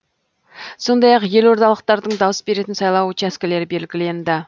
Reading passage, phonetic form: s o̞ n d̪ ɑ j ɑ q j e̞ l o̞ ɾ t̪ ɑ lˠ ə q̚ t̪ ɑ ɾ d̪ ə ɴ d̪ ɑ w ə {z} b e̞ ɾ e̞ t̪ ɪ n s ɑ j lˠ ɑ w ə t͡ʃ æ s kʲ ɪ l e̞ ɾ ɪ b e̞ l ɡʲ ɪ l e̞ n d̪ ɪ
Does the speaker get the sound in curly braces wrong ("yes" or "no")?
yes